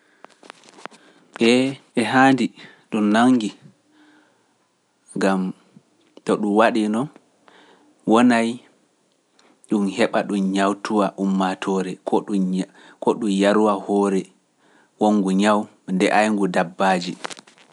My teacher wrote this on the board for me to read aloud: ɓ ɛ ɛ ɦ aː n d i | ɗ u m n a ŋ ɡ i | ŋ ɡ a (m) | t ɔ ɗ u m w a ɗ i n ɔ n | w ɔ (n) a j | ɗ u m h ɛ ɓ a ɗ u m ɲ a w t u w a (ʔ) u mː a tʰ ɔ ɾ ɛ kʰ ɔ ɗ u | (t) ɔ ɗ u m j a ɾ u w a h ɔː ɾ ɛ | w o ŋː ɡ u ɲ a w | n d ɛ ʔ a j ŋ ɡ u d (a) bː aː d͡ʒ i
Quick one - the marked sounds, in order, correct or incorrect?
correct, correct, correct, incorrect, correct

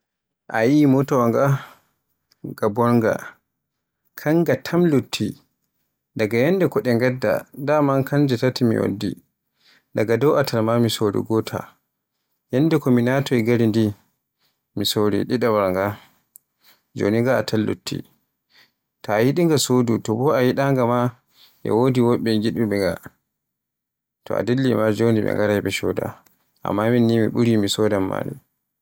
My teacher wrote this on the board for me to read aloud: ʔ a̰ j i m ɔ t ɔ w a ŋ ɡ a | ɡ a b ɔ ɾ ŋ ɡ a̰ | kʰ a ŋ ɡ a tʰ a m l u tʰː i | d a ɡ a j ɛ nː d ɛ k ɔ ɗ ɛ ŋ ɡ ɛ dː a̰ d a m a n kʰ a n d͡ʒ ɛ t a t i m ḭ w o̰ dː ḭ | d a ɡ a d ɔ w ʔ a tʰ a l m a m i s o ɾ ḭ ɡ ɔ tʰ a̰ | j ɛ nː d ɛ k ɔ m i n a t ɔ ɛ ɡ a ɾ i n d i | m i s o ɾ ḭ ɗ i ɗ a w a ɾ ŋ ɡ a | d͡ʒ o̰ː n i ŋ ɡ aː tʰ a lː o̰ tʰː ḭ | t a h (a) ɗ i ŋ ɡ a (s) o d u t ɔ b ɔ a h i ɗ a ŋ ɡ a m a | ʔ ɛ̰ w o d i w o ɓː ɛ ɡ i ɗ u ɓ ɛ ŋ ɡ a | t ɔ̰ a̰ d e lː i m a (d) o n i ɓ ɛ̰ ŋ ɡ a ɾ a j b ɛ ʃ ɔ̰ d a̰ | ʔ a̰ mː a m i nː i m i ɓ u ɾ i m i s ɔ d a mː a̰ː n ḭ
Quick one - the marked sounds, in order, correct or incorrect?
incorrect, correct, incorrect

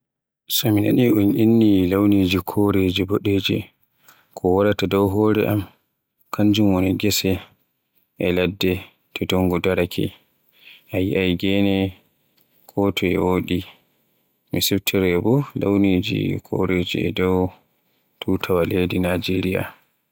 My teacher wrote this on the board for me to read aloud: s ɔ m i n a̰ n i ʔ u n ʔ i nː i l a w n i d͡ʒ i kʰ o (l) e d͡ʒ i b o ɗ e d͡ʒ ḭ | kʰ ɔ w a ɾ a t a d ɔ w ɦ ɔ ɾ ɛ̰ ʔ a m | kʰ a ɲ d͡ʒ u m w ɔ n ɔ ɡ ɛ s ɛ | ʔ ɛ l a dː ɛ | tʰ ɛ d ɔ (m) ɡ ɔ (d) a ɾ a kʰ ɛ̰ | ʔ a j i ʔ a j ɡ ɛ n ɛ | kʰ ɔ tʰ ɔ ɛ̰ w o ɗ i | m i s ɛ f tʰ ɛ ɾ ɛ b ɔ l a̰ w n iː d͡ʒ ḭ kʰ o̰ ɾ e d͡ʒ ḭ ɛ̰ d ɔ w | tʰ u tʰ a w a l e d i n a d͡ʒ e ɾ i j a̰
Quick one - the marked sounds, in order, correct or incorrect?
incorrect, incorrect, correct

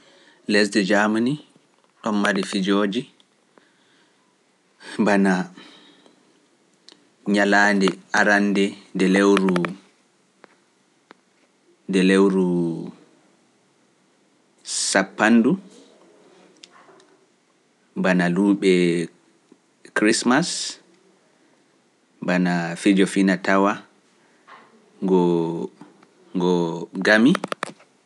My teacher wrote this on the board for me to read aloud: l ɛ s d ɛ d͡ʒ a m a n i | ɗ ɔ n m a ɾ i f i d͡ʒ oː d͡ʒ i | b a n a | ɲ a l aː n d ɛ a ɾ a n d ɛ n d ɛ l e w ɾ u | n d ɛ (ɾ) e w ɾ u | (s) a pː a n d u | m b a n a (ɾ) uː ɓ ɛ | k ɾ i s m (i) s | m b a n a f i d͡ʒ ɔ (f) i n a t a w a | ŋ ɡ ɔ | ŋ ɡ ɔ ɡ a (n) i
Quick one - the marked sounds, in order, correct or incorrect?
incorrect, correct, incorrect, incorrect, correct, incorrect

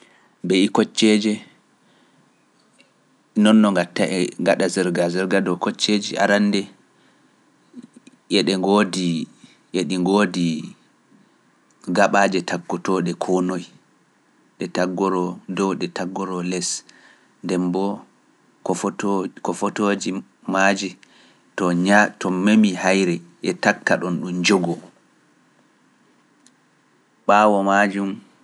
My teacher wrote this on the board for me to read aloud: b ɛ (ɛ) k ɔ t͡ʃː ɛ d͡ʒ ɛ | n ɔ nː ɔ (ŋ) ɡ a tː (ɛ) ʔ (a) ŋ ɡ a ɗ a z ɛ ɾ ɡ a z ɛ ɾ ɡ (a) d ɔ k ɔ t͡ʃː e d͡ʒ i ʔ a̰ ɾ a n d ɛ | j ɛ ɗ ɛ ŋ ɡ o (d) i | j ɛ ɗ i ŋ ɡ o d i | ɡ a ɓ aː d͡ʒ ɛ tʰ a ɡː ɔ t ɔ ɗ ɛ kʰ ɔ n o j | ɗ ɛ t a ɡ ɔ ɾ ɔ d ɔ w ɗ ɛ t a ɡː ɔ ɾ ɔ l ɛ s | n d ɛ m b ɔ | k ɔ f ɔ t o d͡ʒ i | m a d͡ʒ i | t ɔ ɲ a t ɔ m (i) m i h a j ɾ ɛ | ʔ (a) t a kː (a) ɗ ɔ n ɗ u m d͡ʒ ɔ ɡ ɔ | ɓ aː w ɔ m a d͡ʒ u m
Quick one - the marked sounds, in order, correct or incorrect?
incorrect, correct, incorrect, incorrect, correct, correct, incorrect, incorrect, correct

